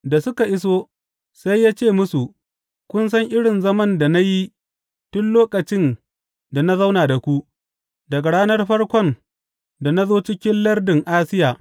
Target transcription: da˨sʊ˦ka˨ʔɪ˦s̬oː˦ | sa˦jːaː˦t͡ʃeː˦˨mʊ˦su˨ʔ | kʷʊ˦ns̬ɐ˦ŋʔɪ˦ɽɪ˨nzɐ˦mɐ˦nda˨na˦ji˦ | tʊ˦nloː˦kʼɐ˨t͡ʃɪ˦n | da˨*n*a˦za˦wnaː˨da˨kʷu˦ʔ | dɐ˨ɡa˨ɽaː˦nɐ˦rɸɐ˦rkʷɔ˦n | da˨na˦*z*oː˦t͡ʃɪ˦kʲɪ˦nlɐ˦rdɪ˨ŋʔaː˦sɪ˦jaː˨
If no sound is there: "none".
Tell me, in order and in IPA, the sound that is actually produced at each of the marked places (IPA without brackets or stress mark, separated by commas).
n, z